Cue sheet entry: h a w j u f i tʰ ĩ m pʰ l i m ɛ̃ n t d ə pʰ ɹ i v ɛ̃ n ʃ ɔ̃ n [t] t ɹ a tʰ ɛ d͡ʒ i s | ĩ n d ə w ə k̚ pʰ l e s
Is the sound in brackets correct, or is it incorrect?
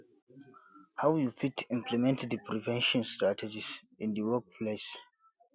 incorrect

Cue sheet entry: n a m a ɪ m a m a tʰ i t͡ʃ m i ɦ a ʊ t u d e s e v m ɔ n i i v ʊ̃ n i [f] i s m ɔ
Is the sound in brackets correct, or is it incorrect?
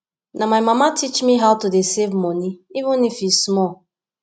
correct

